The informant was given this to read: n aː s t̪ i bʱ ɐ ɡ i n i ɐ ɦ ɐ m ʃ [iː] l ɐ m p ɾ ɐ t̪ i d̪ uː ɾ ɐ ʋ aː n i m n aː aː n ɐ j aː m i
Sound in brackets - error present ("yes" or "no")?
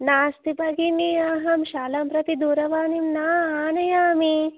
yes